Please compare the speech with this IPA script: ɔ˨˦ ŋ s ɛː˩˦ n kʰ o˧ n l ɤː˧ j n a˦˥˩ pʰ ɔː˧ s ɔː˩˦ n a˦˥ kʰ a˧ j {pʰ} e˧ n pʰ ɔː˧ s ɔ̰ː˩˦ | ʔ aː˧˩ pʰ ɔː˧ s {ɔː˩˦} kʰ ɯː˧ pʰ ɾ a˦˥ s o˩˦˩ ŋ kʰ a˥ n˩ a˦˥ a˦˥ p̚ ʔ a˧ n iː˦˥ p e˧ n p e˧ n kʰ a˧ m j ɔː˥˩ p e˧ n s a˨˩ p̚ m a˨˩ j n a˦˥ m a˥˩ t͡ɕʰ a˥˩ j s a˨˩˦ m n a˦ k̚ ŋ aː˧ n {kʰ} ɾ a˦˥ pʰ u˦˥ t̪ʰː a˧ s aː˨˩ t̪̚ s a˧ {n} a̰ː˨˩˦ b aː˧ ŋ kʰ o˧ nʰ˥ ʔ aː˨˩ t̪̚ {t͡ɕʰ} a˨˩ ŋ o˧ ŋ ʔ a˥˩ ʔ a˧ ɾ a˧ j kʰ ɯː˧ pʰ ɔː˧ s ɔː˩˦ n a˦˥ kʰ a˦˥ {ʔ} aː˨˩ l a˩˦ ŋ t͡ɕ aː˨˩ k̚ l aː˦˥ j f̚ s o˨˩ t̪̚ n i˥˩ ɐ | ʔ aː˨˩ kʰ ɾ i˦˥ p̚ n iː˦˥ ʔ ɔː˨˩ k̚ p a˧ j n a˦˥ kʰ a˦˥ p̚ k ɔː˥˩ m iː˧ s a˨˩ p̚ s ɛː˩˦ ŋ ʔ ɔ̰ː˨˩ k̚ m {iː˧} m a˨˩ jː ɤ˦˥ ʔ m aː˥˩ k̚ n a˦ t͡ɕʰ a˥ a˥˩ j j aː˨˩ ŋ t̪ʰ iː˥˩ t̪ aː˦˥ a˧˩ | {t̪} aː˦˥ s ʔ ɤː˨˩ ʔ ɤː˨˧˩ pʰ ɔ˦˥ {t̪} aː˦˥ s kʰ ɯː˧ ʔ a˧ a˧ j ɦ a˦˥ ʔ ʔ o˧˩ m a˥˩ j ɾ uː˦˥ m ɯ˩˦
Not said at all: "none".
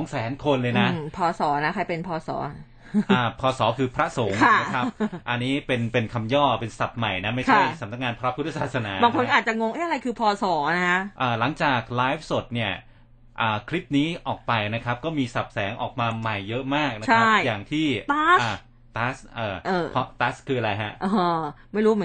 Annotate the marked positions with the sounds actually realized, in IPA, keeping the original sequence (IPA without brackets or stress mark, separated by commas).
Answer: p, ɔː˩˦, pʰ, n, t͡ɕ, ʔ, aː˧, t̪, t̪